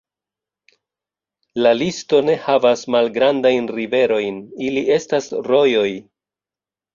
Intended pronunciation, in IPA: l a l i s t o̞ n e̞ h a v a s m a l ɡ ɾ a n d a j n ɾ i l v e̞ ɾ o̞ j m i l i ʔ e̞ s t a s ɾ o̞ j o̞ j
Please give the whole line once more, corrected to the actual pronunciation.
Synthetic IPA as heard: l a l i s t o̞ n e̞ h a v a s m a l ɡ ɾ a n d a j n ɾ i v e̞ ɾ o̞ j n i l i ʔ e̞ s t a s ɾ o̞ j o̞ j